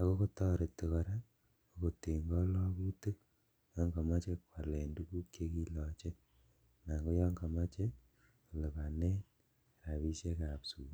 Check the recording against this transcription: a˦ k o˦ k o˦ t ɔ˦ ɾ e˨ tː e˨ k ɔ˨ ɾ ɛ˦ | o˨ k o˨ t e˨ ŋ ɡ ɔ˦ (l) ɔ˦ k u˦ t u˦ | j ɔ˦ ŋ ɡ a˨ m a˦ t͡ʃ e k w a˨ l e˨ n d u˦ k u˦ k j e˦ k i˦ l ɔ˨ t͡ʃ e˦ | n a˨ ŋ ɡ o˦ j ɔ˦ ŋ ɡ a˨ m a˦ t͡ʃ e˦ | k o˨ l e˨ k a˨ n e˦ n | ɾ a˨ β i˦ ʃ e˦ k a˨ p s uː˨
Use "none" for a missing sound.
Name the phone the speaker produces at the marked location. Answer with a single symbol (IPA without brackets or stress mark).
l